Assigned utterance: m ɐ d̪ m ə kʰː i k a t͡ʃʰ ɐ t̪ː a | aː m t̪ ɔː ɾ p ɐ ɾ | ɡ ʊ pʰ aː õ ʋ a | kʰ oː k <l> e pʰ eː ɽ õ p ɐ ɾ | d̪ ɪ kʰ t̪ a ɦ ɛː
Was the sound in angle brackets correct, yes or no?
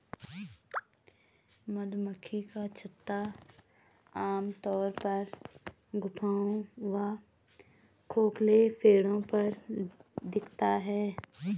yes